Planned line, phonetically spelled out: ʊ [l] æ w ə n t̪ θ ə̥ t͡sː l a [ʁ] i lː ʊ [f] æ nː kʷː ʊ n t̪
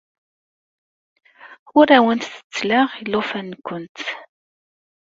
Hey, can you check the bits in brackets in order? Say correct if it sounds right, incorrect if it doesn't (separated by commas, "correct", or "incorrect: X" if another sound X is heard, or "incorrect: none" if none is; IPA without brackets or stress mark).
incorrect: ɾ, correct, correct